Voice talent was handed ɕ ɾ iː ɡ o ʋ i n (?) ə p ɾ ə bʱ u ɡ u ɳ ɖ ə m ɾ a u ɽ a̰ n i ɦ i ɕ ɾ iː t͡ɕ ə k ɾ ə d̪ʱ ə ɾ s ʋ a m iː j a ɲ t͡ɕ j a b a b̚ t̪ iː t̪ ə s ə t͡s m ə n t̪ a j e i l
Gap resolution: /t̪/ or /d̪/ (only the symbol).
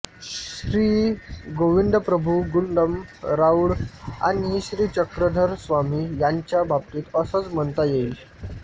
d̪